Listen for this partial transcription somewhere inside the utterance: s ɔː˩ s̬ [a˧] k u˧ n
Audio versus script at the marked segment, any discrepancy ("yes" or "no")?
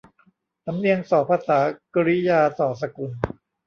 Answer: no